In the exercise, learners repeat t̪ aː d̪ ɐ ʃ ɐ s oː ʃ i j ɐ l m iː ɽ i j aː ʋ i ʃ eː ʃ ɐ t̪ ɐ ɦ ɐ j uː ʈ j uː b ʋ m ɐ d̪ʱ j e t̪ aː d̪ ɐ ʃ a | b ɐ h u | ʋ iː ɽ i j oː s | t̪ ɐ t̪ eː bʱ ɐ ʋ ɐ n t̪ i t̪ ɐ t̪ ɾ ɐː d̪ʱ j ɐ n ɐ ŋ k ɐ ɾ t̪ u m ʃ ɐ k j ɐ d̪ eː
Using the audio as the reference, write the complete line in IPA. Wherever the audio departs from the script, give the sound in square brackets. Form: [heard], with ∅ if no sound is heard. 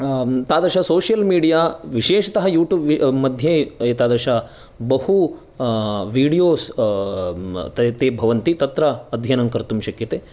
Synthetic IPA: t̪ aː d̪ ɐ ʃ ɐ s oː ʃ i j ɐ l m iː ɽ i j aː ʋ i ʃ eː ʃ ɐ t̪ ɐ ɦ ɐ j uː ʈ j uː b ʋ m ɐ d̪ʱ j e t̪ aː d̪ ɐ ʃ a | b ɐ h u | ʋ iː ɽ i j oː s | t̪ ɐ t̪ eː bʱ ɐ ʋ ɐ n t̪ i t̪ ɐ t̪ ɾ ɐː d̪ʱ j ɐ n ɐ ŋ k ɐ ɾ t̪ u m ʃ ɐ k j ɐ [t̪] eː